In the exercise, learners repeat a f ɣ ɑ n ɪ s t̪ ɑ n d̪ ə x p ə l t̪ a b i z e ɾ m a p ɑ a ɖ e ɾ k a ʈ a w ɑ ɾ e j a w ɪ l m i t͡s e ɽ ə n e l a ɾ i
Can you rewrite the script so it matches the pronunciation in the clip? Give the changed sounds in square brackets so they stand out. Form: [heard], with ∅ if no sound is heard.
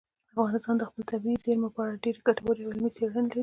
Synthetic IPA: a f ɣ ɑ n ɪ s t̪ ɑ n d̪ ə x p ə l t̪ a b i z e ɾ m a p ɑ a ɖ e ɾ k a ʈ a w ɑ ɾ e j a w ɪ l m i t͡s e ɽ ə n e l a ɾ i